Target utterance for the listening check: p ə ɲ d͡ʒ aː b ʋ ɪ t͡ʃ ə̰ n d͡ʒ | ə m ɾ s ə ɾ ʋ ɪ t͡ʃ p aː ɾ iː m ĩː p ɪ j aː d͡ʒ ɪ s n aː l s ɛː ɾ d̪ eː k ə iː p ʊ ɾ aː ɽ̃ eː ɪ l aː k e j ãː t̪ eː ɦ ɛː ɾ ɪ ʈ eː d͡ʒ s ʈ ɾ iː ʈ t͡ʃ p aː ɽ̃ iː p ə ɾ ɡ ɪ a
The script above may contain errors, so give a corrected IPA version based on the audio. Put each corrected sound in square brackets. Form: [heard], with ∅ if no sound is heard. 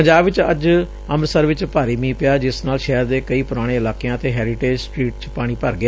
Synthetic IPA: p ə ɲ d͡ʒ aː b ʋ ɪ t͡ʃ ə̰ [∅] d͡ʒ | ə m ɾ s ə ɾ ʋ ɪ t͡ʃ p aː ɾ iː m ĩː p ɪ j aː d͡ʒ ɪ s n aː l [ʃ] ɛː ɾ d̪ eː k ə iː p ʊ ɾ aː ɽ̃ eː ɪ l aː k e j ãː t̪ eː ɦ ɛː ɾ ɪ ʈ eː d͡ʒ s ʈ ɾ iː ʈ t͡ʃ p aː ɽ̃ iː p ə ɾ ɡ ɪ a